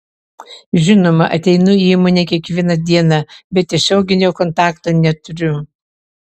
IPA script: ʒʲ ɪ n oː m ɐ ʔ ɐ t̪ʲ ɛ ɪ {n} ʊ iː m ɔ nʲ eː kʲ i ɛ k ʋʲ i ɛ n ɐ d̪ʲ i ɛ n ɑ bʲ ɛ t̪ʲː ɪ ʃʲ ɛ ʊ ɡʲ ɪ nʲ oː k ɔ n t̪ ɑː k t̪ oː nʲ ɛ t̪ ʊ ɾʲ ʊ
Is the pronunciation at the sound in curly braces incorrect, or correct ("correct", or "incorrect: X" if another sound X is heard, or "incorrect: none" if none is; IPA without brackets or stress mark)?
correct